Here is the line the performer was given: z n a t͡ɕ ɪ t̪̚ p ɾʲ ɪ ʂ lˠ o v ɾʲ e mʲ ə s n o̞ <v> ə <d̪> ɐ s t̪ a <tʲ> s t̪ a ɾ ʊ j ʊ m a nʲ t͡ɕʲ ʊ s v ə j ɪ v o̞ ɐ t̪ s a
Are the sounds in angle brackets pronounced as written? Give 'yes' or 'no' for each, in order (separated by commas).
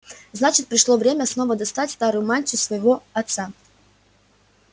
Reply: yes, yes, yes